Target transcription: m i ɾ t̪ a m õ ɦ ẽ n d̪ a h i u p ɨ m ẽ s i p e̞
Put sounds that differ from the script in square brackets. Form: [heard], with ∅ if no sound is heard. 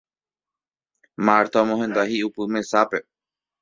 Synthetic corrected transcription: m [a] ɾ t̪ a m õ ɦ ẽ n d̪ a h i u p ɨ m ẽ s [a] p e̞